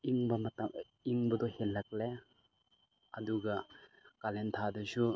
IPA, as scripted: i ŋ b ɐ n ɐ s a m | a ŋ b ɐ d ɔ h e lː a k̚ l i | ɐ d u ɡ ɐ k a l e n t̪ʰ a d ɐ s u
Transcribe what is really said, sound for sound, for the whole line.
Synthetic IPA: i ŋ b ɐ m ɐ t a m | i ŋ b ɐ d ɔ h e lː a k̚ l e | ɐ d u ɡ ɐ k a l e n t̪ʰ a d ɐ s u

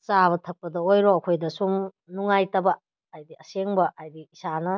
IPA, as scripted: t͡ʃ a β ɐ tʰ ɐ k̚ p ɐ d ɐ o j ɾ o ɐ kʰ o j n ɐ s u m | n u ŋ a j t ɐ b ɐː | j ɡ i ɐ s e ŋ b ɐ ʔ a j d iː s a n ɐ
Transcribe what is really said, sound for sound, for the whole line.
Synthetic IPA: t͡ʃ a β ɐ tʰ ɐ k̚ p ɐ d ɐ o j ɾ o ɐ kʰ o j d ɐ s u m | n u ŋ a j t ɐ b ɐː | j d i ɐ s e ŋ b ɐ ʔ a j d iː s a n ɐ

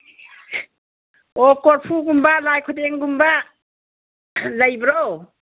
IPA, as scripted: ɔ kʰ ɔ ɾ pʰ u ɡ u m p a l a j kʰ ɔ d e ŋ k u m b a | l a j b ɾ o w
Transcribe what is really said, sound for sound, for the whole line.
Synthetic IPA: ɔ k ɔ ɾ pʰ u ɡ u m b a l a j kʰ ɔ d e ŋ ɡ u m b a | l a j b ɾ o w

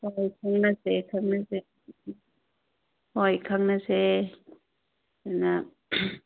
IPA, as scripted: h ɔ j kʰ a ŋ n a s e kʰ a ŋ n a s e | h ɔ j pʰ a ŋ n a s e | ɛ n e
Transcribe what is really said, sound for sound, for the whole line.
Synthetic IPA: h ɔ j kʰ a ŋ n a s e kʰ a ŋ n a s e | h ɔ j kʰ a ŋ n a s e | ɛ n a

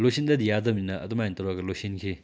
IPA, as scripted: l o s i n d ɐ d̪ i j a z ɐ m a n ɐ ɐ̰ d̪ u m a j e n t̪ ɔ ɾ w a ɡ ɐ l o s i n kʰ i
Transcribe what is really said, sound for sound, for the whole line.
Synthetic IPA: l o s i n d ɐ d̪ i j a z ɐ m i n ɐ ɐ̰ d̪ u m a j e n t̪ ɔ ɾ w a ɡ ɐ l o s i n kʰ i

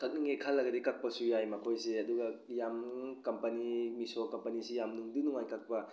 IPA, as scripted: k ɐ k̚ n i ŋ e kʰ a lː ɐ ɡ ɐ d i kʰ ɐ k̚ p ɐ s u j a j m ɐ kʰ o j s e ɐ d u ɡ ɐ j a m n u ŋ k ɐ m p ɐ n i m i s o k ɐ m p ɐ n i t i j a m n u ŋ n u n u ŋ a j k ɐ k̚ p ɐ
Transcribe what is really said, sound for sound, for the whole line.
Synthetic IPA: k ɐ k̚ n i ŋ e kʰ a lː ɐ ɡ ɐ d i k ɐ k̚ p ɐ s u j a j m ɐ kʰ o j s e ɐ d u ɡ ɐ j a m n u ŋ k ɐ m p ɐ n i m i s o k ɐ m p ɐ n i s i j a m n u ŋ d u n u ŋ a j k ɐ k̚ p ɐ

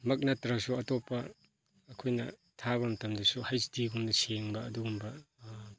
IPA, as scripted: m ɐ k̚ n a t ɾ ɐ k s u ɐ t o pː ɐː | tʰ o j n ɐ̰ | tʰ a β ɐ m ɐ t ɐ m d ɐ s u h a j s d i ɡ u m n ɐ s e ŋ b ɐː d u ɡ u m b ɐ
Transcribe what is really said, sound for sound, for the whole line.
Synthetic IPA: m ɐ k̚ n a t ɾ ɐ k s u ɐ t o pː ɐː | kʰ o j n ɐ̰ | tʰ a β ɐ m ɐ t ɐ m d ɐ s u h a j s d i ɡ u m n ɐ s e ŋ b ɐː d u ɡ u m b ɐ

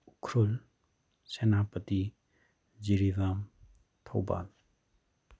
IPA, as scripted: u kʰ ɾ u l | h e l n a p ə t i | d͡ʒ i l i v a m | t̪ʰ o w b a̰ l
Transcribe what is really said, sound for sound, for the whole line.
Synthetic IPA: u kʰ ɾ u l | s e n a p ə t i | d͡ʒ i ɾ i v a m | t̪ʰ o w b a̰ l

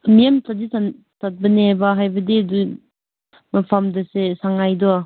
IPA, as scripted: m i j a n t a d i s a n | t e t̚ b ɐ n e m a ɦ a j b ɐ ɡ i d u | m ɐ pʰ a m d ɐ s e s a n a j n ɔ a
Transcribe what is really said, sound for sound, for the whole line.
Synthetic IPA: m i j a m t a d i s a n | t a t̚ b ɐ n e b a ɦ a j b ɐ d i d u | m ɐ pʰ a m d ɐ s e s a ŋ a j d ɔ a

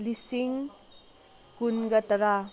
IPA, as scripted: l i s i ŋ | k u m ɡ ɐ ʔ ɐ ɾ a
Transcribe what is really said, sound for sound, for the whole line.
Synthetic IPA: l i s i ŋ | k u n ɡ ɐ t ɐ ɾ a

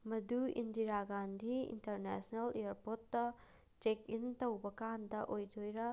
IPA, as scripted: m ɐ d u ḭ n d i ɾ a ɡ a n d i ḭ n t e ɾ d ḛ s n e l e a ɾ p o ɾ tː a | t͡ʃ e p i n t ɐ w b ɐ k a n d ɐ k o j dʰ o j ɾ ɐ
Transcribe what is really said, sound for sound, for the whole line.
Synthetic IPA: m ɐ d u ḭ n d i ɾ a ɡ a n d i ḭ n t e ɾ n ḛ s n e l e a ɾ p o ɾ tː ɐ | t͡ʃ e k i n t ɐ w b ɐ k a n d ɐ ʔ o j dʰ o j ɾ ɐ

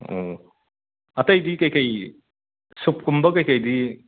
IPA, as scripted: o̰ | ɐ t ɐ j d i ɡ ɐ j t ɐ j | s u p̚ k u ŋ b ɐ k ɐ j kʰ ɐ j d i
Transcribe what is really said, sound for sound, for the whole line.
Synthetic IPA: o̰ | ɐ t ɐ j d i k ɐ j k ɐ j | s u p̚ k u m b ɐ k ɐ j k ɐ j d i

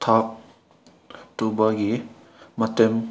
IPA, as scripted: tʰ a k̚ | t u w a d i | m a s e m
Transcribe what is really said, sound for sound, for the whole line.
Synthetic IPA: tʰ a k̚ | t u b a ɡ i | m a t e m

